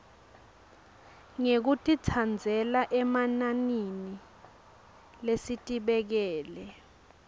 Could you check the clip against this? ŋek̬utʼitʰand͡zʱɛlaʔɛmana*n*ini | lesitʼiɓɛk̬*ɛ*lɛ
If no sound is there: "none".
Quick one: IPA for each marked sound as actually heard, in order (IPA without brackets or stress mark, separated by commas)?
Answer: n, ɛː